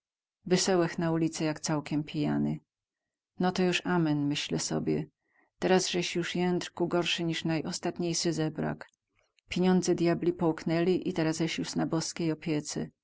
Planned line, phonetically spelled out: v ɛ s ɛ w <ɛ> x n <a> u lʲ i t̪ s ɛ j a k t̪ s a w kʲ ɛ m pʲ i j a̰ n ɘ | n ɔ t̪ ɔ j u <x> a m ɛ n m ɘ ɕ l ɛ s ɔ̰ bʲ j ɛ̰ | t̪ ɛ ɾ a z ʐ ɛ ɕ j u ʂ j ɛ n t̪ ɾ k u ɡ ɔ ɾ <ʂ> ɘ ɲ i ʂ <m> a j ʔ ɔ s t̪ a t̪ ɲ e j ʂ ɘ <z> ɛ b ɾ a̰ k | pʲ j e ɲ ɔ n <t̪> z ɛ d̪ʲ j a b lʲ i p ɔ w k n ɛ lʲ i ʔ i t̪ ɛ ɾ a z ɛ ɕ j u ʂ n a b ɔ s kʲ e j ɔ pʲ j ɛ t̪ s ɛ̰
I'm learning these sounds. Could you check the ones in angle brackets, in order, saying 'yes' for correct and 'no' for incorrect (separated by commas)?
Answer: yes, yes, no, yes, no, yes, no